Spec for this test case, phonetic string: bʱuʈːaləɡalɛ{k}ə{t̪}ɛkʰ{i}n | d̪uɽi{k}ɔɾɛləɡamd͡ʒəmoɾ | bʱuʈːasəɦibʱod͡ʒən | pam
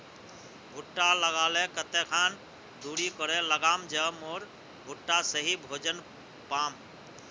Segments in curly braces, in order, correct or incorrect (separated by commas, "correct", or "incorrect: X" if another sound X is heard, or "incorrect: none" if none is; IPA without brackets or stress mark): correct, correct, incorrect: a, correct